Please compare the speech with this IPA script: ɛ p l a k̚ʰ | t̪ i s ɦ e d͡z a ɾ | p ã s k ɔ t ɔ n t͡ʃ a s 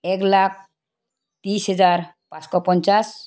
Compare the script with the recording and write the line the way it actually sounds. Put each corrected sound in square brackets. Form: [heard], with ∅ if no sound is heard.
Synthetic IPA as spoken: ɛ [k] l a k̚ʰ | t̪ i s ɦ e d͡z a ɾ | p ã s k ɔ [p] ɔ n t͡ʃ a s